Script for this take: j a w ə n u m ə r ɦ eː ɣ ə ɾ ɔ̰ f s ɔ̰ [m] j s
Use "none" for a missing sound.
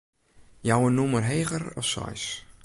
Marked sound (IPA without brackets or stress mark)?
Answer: none